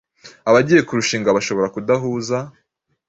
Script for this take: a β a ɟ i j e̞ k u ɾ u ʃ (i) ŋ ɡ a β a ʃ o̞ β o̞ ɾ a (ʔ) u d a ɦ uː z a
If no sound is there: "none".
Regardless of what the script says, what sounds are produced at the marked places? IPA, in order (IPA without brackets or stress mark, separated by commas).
iː, k